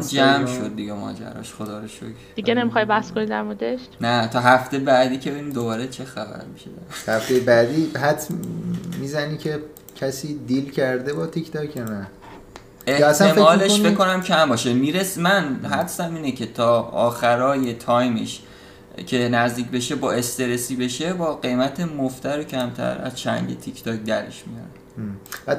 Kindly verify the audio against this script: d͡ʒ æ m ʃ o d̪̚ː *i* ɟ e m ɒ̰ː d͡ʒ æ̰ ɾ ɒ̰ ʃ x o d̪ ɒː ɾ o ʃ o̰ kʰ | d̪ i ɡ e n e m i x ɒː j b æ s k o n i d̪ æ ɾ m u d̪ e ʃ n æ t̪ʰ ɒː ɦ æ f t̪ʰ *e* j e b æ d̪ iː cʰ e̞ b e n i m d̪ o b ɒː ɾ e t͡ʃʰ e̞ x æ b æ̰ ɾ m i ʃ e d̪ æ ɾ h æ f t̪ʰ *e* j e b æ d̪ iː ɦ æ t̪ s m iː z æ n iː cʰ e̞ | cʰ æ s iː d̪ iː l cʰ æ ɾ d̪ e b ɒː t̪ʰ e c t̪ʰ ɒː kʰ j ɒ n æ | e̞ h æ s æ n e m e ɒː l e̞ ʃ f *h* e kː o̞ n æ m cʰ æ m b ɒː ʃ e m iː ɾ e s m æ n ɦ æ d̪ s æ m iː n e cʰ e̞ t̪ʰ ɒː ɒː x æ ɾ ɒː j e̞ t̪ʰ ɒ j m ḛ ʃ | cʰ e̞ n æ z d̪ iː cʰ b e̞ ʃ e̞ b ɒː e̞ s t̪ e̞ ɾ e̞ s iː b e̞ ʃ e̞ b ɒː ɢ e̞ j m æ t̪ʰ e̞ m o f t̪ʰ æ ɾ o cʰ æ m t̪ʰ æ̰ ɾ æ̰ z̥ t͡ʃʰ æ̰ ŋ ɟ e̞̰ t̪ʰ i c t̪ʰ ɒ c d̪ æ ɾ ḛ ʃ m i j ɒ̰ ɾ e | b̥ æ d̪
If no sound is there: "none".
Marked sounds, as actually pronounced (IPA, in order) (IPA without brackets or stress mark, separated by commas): i, e, e, f